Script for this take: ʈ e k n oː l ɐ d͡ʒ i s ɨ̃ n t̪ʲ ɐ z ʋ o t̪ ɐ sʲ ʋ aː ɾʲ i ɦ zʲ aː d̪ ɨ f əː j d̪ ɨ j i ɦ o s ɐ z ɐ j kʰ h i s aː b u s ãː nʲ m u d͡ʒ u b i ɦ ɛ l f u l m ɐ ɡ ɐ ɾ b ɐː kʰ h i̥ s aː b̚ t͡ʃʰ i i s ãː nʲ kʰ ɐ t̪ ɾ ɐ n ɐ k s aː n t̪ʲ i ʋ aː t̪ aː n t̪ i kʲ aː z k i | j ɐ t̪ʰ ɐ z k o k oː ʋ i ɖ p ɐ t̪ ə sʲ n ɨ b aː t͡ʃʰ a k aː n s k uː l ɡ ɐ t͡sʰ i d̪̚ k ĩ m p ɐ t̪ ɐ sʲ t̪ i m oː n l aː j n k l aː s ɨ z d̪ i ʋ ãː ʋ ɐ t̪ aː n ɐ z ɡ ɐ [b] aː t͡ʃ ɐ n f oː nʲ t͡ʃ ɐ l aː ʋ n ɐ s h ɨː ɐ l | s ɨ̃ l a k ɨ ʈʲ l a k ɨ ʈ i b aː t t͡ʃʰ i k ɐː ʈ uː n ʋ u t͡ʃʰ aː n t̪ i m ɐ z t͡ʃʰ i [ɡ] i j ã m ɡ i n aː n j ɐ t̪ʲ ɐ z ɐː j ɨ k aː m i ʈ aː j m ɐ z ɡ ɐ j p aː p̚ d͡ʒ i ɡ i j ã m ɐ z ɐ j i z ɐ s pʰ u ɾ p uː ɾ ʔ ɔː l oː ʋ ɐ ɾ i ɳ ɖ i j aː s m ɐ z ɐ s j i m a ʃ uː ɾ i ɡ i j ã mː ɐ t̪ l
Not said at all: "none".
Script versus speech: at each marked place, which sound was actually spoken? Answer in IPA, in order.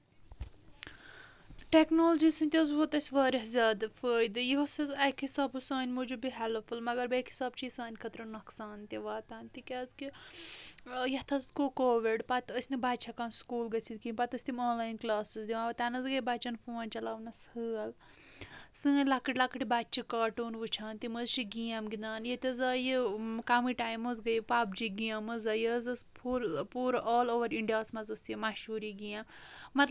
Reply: b, ɡ

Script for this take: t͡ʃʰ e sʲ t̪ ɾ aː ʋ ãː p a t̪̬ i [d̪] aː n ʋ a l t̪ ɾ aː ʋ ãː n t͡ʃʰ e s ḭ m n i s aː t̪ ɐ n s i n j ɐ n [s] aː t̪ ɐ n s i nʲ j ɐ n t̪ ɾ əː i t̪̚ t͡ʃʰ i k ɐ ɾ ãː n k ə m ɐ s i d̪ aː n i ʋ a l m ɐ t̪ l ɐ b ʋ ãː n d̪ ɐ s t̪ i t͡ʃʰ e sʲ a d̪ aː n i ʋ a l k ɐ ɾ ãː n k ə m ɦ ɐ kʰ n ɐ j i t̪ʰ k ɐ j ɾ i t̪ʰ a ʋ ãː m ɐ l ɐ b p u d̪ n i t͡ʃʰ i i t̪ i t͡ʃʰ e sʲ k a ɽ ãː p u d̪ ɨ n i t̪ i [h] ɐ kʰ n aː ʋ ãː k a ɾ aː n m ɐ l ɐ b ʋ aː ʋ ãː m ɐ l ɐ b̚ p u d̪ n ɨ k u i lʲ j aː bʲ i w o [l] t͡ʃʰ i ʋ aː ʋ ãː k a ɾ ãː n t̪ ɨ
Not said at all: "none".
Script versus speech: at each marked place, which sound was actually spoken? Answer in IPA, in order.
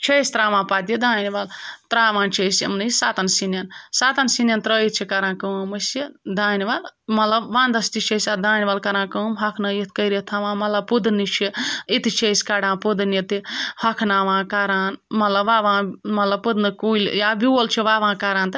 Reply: d̪, s, h, l

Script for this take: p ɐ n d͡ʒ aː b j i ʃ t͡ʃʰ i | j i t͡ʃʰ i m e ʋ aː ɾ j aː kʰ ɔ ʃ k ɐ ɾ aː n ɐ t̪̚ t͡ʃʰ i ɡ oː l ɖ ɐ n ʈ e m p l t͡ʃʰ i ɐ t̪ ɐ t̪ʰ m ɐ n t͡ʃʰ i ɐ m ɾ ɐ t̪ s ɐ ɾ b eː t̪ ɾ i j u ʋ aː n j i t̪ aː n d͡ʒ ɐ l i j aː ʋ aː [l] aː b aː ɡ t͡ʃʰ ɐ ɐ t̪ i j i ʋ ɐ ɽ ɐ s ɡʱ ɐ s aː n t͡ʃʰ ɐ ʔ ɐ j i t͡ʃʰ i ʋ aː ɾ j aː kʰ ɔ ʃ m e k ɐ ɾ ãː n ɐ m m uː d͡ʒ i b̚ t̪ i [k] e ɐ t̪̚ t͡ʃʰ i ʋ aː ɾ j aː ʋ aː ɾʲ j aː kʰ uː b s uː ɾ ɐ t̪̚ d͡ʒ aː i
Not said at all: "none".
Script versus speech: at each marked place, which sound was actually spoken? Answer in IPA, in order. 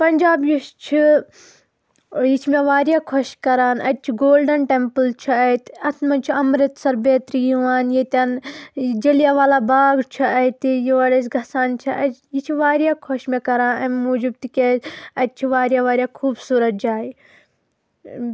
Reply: l, k

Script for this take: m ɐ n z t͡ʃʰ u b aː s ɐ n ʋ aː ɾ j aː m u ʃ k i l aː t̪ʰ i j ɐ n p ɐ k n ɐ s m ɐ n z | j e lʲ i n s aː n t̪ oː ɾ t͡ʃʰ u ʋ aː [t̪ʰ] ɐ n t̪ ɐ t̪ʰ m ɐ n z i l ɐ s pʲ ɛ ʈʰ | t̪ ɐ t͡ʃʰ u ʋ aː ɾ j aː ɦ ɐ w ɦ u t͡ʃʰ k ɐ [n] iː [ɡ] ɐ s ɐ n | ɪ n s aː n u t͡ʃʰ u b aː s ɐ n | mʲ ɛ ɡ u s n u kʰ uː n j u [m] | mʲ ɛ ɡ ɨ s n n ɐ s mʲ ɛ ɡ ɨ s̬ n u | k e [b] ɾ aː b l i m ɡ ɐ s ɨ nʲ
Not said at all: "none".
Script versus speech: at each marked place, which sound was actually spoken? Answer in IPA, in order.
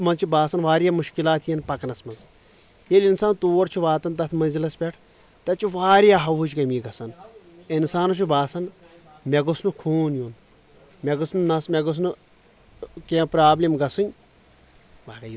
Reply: t̪, m, ɡ, n, p

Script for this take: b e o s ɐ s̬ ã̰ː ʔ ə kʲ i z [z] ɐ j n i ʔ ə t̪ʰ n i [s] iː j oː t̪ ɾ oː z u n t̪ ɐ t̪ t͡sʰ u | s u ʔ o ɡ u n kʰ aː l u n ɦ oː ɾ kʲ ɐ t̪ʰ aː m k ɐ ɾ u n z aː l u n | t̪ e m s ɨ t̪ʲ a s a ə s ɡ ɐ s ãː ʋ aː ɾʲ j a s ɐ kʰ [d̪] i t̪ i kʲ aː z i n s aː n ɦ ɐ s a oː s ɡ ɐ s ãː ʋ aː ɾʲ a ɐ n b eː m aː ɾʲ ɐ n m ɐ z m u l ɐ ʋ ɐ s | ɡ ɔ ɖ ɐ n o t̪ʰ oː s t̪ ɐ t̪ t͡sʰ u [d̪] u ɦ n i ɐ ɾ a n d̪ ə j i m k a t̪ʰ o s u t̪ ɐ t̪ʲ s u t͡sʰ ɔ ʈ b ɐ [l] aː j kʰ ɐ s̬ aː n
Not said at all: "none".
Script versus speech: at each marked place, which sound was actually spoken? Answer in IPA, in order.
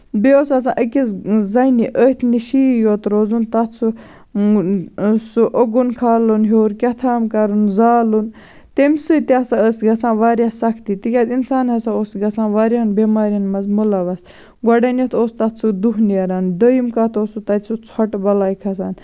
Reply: z, ʃ, t̪, d̪, l

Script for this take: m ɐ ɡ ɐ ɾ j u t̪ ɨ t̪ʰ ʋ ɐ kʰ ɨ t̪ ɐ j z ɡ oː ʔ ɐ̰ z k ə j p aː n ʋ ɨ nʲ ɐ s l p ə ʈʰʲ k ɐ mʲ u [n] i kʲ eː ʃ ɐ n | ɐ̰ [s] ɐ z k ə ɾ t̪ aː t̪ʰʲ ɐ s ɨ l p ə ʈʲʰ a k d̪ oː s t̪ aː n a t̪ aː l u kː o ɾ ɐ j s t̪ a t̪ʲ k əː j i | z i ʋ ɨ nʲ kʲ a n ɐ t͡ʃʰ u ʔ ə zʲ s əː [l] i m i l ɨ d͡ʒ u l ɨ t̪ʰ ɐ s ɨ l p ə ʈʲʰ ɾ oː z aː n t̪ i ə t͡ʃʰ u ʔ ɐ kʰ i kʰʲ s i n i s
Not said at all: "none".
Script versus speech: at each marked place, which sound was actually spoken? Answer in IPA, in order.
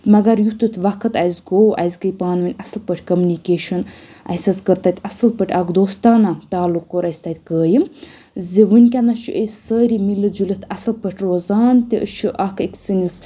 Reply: n, s, ɾ

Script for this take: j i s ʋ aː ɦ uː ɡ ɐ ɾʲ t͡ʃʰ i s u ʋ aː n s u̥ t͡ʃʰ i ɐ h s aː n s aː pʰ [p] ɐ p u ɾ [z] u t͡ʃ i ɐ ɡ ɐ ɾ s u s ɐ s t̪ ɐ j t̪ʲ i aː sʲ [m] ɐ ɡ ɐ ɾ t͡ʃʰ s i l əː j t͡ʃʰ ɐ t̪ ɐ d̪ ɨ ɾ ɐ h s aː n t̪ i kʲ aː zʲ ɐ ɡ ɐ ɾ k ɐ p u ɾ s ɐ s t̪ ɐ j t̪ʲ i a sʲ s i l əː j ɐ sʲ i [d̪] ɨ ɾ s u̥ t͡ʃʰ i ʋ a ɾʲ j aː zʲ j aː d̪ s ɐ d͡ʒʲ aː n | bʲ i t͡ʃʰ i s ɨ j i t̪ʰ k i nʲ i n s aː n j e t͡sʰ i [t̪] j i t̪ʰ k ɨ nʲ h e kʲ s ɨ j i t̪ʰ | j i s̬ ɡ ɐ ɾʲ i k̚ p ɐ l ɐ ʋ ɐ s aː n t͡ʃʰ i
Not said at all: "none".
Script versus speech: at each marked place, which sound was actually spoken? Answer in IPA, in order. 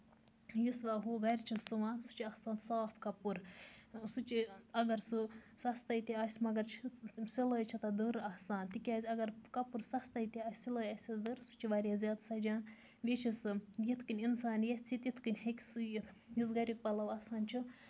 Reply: k, s, m, d̪, t̪

